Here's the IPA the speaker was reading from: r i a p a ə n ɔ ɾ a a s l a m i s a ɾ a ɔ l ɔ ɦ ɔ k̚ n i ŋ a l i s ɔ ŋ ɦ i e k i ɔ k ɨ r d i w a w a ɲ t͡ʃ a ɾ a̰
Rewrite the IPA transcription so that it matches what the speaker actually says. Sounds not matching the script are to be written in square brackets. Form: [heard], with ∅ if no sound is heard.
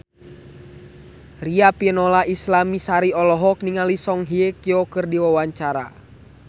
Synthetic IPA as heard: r i a p [i] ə n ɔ [l] a [i] s l a m i s a ɾ [i] ɔ l ɔ ɦ ɔ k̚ n i ŋ a l i s ɔ ŋ ɦ i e k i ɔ k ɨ r d i w a w a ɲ t͡ʃ a ɾ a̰